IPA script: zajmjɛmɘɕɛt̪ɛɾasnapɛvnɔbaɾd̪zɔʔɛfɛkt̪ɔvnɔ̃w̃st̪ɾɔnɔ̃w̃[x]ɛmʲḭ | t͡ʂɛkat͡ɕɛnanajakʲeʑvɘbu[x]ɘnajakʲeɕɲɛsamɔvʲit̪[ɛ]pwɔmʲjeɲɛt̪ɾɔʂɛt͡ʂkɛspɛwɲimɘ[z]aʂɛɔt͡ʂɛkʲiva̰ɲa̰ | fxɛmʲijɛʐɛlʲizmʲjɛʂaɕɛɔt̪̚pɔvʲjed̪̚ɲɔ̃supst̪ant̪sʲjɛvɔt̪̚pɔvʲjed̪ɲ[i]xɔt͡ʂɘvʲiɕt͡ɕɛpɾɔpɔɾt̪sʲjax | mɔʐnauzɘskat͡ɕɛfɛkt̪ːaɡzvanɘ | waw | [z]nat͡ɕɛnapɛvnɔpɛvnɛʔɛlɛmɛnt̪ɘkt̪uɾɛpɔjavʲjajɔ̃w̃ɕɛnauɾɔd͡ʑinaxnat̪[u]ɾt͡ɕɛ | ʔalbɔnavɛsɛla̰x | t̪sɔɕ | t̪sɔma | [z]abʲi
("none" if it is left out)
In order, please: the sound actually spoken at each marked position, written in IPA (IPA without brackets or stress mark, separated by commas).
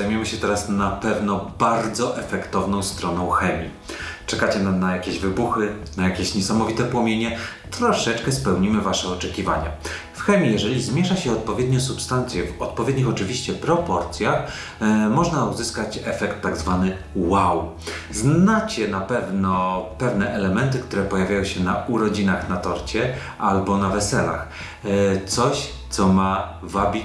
x, x, ɛ, v, i, z, ɔ, v